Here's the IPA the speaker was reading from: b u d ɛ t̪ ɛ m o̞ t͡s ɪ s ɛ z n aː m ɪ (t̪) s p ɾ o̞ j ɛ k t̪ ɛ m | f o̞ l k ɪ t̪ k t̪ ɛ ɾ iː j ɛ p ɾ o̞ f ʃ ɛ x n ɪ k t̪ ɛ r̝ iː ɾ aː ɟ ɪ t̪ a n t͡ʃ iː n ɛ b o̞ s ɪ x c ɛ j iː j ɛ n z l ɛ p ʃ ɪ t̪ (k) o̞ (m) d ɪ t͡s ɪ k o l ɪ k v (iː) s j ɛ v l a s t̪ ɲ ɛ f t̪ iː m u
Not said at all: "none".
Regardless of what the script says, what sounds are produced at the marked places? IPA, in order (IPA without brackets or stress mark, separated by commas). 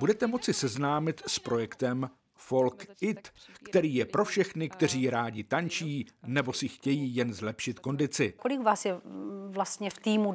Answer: t̪, k, n, aː